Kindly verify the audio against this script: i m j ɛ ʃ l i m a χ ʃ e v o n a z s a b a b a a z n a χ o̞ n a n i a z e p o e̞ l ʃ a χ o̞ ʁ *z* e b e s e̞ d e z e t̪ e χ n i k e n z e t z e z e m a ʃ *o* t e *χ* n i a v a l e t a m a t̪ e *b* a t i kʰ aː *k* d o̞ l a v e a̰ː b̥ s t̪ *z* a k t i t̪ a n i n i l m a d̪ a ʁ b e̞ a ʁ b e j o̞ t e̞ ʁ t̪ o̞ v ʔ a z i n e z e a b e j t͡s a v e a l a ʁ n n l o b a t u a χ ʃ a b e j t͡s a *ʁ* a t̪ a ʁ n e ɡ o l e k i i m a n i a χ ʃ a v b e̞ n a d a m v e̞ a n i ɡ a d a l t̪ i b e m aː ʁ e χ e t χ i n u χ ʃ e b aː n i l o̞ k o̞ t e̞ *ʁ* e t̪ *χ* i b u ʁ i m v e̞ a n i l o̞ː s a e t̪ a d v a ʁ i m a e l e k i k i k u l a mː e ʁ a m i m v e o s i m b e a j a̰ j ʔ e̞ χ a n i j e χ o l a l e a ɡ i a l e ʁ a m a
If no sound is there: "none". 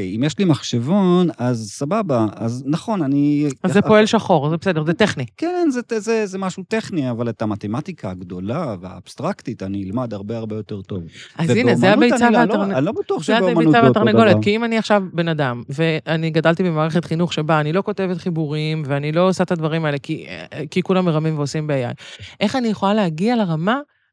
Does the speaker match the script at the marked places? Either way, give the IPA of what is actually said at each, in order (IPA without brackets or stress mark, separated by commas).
z, u, χ, m, ɡ, ʁ, v, v, χ